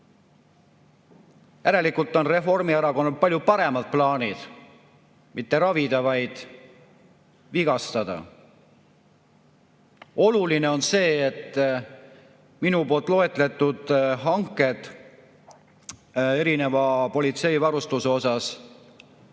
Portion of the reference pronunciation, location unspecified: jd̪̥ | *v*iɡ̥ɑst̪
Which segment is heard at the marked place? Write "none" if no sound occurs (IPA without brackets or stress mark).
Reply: v